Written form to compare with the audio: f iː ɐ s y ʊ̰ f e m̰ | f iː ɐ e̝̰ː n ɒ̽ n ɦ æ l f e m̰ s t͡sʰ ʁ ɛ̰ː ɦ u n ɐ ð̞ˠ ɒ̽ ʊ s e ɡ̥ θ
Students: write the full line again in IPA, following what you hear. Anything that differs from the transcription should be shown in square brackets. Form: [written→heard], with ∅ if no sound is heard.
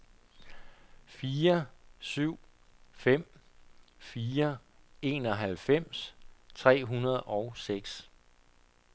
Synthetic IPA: f iː ɐ s y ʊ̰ f e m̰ | f iː ɐ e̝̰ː n ɒ̽ [n→∅] ɦ æ l f e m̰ s t͡sʰ ʁ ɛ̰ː ɦ u n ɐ ð̞ˠ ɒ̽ ʊ s e ɡ̥ [θ→s]

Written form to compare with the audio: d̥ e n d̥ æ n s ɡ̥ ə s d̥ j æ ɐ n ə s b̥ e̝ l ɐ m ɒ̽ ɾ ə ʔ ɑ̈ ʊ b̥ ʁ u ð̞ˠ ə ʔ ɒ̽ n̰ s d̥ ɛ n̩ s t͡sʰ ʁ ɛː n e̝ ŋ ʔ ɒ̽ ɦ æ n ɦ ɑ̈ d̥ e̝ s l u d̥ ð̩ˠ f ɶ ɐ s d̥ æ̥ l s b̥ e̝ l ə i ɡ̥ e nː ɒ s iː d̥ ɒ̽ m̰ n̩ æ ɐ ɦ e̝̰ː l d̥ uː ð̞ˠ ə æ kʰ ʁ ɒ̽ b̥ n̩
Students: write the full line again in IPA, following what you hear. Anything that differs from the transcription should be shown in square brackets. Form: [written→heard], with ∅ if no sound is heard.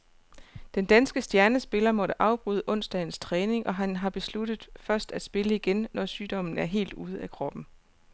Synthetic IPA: d̥ e n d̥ æ n s ɡ̥ ə s d̥ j æ ɐ n ə s b̥ e̝ l ɐ m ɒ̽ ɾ ə ʔ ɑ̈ ʊ b̥ ʁ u ð̞ˠ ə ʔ [ɒ̽→ɔ̽] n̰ s d̥ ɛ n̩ s t͡sʰ ʁ ɛː n e̝ ŋ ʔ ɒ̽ ɦ æ n ɦ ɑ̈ [d̥→b̥] e̝ s l u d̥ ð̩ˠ f ɶ ɐ s d̥ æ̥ [l→∅] s b̥ e̝ l ə i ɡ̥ e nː ɒ s [iː→yː] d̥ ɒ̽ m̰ n̩ æ ɐ ɦ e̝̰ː l d̥ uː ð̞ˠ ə æ kʰ ʁ ɒ̽ b̥ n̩

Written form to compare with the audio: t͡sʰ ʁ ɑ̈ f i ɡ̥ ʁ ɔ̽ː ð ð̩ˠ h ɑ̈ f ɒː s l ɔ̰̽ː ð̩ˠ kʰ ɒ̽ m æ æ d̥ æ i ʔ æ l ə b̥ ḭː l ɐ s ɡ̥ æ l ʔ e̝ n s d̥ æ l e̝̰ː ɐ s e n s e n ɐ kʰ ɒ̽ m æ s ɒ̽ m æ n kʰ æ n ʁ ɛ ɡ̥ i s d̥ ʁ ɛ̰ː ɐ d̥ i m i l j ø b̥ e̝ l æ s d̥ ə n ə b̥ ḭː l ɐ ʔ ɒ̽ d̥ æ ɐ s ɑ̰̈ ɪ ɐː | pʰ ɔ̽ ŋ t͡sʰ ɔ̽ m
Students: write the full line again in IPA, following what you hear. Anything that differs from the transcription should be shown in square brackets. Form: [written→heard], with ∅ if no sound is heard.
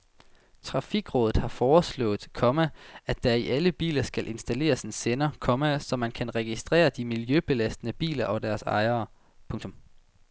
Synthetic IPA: t͡sʰ ʁ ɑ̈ f i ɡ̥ ʁ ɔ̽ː ð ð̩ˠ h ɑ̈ f ɒː s l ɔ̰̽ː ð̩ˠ kʰ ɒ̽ m æ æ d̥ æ i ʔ æ l ə b̥ ḭː l ɐ s ɡ̥ æ l ʔ e̝ n s d̥ æ l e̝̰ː ɐ s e n s e n ɐ kʰ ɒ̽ m æ s ɒ̽ m æ n kʰ æ n ʁ ɛ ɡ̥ i s d̥ ʁ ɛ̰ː ɐ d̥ i m i l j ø b̥ e̝ l æ s d̥ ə n ə b̥ ḭː l ɐ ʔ ɒ̽ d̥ æ ɐ s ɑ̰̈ ɪ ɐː | pʰ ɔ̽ ŋ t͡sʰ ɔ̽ m

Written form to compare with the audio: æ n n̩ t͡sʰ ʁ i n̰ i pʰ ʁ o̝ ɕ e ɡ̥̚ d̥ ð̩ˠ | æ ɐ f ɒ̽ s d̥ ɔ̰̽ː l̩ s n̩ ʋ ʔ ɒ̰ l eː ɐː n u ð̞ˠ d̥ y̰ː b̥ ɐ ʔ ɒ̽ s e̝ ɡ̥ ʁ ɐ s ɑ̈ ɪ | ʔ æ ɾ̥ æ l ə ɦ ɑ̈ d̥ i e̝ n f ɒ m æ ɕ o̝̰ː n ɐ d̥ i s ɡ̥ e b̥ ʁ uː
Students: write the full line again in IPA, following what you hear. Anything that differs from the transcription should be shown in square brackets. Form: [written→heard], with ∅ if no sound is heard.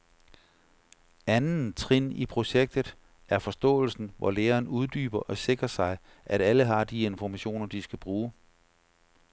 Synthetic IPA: æ n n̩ t͡sʰ ʁ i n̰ i pʰ ʁ o̝ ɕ e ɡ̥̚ d̥ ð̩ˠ | æ ɐ f ɒ̽ s d̥ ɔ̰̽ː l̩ s n̩ ʋ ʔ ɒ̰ l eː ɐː n u ð̞ˠ d̥ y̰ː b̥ ɐ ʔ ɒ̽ s e̝ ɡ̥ ʁ ɐ s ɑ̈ ɪ | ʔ æ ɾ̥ æ l ə ɦ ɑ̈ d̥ i e̝ n f ɒ m æ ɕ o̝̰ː n ɐ d̥ i s ɡ̥ [e→æ] b̥ ʁ uː

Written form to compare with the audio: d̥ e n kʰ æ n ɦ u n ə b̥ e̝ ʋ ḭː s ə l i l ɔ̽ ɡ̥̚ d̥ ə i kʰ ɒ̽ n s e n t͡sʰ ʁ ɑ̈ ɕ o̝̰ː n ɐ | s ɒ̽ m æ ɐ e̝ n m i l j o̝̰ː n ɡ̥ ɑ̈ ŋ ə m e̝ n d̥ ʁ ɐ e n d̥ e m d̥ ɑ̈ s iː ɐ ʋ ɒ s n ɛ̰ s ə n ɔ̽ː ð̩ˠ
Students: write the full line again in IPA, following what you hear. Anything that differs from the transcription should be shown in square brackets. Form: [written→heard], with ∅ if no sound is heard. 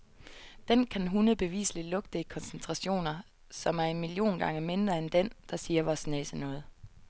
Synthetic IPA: d̥ e n kʰ æ n ɦ u n ə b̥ e̝ ʋ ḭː s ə l i l ɔ̽ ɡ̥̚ d̥ ə i kʰ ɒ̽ n s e n t͡sʰ ʁ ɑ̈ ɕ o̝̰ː n ɐ | s ɒ̽ m æ ɐ e̝ n m i l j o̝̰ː n ɡ̥ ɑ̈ ŋ ə m e̝ n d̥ ʁ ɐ e n d̥ e [m→n] d̥ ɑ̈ s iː ɐ ʋ ɒ s n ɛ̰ s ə n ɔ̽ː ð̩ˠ

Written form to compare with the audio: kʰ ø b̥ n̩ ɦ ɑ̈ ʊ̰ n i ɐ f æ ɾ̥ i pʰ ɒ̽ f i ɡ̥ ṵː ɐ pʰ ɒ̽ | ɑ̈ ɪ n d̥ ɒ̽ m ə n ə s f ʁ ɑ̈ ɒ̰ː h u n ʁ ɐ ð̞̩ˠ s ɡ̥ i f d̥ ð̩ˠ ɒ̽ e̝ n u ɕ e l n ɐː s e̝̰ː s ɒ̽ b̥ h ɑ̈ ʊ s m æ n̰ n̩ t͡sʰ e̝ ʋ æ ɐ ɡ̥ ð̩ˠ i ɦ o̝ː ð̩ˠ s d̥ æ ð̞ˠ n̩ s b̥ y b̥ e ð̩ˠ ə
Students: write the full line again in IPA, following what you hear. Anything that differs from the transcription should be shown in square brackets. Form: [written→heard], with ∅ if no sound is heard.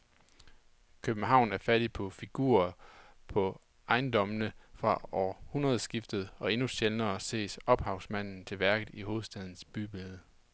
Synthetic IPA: kʰ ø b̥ n̩ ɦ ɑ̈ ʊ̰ n [i→æ] ɐ f æ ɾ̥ i pʰ ɒ̽ f i ɡ̥ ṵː ɐ pʰ ɒ̽ | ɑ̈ ɪ n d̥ ɒ̽ m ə n ə [s→∅] f ʁ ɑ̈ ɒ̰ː h u n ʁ ɐ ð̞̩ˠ s ɡ̥ i f d̥ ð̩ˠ ɒ̽ e̝ n u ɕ e l n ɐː s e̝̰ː s ɒ̽ b̥ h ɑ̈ ʊ s m æ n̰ n̩ t͡sʰ e̝ ʋ æ ɐ ɡ̥ ð̩ˠ i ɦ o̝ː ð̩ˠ s d̥ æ ð̞ˠ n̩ s b̥ y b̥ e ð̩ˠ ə

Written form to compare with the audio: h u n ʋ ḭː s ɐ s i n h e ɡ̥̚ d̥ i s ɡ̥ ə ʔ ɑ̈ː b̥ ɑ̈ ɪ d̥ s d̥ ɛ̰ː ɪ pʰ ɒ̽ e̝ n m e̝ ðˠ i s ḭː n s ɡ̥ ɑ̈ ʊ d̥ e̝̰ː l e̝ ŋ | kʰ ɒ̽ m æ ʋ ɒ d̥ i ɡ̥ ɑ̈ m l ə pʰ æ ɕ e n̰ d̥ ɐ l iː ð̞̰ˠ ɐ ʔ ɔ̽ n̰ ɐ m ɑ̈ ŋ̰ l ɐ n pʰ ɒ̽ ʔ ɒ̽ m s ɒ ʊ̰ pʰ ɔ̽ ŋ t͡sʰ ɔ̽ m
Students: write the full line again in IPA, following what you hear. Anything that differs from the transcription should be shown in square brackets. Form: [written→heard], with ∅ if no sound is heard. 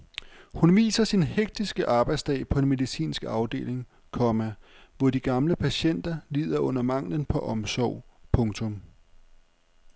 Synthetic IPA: h u n ʋ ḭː s ɐ s i n h e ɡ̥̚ d̥ i s ɡ̥ ə ʔ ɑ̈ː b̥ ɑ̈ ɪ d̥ s d̥ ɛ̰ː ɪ pʰ ɒ̽ e̝ n m e̝ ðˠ i s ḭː n s ɡ̥ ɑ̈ ʊ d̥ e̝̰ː l e̝ ŋ | kʰ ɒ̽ m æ ʋ ɒ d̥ i ɡ̥ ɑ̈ m l ə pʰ æ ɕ e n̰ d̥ ɐ l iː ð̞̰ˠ ɐ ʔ ɔ̽ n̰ ɐ m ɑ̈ ŋ̰ l [ɐ→ə] n pʰ ɒ̽ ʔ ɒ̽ m s ɒ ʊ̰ pʰ ɔ̽ ŋ t͡sʰ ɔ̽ m

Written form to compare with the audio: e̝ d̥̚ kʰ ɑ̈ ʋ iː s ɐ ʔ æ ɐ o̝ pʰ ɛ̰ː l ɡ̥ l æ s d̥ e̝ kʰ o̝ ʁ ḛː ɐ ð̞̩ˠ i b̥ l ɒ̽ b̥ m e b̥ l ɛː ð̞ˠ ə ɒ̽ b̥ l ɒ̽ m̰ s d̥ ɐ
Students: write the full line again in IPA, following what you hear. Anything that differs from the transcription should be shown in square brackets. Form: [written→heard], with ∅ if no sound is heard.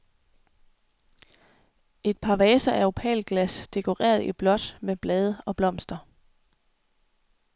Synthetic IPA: e̝ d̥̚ [kʰ→pʰ] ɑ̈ ʋ [iː→ɛː] s ɐ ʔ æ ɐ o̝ pʰ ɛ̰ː l ɡ̥ l æ s d̥ e̝ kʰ o̝ ʁ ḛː ɐ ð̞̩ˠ i b̥ l ɒ̽ [b̥→d̥] m e b̥ l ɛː ð̞ˠ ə ɒ̽ b̥ l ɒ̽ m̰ s d̥ ɐ

